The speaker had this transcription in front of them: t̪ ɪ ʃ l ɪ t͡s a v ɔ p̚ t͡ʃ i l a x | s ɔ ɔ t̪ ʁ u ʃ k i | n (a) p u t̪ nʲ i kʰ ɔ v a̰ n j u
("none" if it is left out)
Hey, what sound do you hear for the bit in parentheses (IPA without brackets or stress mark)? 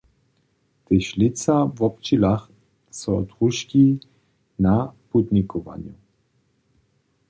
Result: a